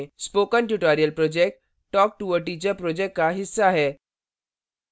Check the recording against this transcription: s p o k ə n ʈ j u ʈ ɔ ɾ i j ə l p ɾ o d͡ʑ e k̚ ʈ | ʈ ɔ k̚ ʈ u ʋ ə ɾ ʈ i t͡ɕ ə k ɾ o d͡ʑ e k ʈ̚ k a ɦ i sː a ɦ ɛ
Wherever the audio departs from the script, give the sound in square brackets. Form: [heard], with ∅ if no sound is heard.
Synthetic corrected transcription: s p o k ə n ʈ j u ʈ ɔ ɾ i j ə l p ɾ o d͡ʑ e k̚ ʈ | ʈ ɔ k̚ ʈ u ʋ ə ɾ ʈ i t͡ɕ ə [p] ɾ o d͡ʑ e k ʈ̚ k a ɦ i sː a ɦ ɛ